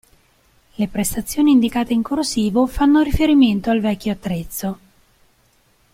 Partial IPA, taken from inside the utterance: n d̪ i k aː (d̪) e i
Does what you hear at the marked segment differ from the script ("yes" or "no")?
yes